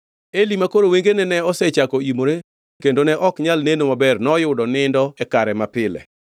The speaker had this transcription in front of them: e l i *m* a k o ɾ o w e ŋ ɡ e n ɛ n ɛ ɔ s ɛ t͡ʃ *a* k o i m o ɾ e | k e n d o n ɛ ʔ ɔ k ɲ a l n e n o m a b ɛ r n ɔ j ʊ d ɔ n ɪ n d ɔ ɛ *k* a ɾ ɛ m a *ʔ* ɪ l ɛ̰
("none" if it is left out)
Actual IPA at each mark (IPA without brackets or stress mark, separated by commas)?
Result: m, a, k, p